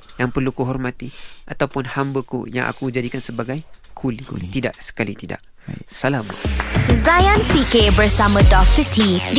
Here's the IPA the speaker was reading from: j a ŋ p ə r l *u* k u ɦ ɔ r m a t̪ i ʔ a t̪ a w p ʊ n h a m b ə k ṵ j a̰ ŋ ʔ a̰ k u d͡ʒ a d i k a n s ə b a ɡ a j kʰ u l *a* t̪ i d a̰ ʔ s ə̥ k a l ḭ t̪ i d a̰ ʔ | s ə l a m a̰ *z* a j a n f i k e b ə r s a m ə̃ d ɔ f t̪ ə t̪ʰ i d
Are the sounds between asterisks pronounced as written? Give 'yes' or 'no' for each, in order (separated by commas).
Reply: yes, no, yes